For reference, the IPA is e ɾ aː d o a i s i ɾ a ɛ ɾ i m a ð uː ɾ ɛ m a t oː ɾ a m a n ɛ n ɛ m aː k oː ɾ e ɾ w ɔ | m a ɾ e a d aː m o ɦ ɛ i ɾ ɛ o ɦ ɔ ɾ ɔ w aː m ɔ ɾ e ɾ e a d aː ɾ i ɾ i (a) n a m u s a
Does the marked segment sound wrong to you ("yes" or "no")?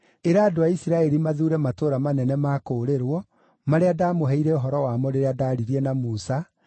yes